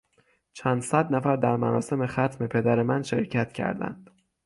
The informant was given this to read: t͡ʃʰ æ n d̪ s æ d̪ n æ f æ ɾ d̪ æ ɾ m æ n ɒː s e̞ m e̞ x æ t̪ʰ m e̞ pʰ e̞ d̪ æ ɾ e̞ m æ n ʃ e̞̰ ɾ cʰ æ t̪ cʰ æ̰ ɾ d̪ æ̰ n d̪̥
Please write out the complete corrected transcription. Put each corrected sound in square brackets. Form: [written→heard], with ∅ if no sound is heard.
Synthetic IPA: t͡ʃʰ æ n d̪ s æ d̪ n æ f æ ɾ d̪ æ ɾ m æ n ɒː s e̞ m e̞ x æ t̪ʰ m e̞ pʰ e̞ d̪ æ ɾ e̞ m æ n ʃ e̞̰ ɾ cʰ æ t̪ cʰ æ̰ ɾ d̪ æ̰ n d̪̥

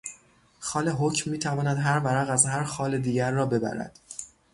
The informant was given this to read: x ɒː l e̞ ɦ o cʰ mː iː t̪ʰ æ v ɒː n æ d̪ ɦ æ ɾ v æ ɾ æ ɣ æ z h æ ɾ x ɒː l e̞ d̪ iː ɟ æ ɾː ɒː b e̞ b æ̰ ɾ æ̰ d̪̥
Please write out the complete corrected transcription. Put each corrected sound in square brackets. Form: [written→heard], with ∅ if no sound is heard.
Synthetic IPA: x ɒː l e̞ ɦ o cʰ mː iː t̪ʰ æ v ɒː n æ d̪ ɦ æ ɾ v æ ɾ æ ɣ æ z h æ ɾ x ɒː l e̞ d̪ iː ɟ æ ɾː ɒː b e̞ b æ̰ ɾ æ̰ d̪̥

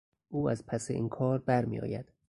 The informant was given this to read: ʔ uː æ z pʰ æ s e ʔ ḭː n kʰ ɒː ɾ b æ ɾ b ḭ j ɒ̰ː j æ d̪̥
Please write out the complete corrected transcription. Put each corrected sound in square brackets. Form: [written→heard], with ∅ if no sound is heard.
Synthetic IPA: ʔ uː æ z pʰ æ s e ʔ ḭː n kʰ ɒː ɾ b æ ɾ [b→m] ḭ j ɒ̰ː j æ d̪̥

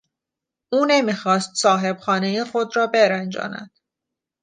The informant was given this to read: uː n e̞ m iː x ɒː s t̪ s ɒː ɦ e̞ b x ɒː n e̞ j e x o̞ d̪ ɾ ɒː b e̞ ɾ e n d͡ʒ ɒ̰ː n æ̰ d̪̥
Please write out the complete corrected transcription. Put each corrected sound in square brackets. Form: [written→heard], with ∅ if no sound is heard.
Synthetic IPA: uː n e̞ m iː x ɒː s t̪ s ɒː ɦ e̞ b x ɒː n e̞ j e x o̞ d̪ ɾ ɒː b e̞ ɾ [e→æ] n d͡ʒ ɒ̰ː n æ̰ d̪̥

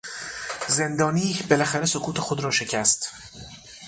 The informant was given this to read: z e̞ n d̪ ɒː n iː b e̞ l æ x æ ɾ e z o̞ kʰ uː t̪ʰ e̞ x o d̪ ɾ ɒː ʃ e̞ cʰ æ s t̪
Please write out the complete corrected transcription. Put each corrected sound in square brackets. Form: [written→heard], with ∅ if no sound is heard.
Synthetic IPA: z e̞ n d̪ ɒː n iː b e̞ l æ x æ ɾ e [z→s] o̞ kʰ uː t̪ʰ e̞ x o d̪ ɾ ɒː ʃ e̞ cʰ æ s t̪

